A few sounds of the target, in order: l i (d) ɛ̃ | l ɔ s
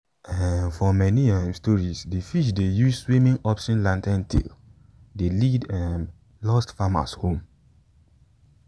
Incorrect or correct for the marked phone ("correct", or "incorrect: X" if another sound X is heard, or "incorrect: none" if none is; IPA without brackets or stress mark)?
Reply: correct